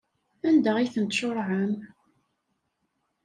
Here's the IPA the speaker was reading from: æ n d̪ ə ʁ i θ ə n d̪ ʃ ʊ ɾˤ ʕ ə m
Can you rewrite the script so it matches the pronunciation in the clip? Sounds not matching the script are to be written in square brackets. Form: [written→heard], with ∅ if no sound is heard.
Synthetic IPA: æ n d̪ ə ʁ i θ ə n [d̪→t̪] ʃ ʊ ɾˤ ʕ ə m